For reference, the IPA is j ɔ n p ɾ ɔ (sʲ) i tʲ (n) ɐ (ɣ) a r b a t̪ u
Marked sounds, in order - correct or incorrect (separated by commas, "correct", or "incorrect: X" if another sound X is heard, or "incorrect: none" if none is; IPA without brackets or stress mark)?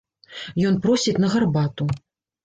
correct, correct, correct